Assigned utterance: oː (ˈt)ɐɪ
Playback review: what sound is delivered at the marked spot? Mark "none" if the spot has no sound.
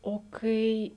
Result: k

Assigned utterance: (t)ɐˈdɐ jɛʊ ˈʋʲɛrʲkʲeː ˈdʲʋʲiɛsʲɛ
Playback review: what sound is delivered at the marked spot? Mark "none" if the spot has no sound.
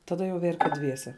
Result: t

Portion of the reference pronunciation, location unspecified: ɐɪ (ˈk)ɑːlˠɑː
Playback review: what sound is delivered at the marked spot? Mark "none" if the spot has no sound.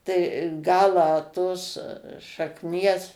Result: ɡ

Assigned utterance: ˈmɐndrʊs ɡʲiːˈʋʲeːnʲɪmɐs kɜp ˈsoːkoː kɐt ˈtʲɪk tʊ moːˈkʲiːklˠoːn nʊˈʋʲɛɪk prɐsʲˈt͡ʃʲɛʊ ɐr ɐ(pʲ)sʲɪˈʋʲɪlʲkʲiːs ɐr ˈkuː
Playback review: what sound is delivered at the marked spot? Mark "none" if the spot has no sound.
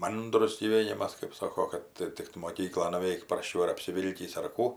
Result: pʲ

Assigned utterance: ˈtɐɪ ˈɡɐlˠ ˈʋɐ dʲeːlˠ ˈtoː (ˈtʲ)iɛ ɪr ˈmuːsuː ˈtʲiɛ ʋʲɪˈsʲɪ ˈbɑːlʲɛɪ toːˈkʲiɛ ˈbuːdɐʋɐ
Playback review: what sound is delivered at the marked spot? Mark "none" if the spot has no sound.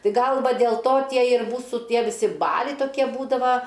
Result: tʲ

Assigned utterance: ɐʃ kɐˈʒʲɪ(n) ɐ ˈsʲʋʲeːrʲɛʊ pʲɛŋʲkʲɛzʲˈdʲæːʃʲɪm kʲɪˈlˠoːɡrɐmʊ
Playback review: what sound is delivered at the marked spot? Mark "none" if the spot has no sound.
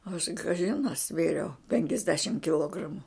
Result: n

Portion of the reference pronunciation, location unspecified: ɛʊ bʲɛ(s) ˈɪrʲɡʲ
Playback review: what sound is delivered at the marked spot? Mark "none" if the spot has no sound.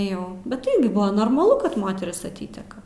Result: t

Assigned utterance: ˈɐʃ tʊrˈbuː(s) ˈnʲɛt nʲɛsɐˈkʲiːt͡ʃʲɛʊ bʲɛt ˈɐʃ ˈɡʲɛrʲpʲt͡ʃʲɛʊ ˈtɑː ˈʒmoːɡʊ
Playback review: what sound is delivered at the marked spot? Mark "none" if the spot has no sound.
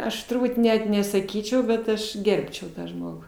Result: t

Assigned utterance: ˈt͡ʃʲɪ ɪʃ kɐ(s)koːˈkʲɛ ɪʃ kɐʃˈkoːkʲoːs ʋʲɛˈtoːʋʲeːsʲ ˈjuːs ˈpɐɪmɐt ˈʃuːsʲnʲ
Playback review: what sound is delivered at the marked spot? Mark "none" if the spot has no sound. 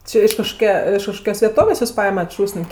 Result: ʃ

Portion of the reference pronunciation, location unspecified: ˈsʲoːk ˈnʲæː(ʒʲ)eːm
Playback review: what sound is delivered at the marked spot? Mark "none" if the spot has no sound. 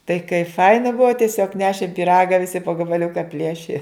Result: ʃʲ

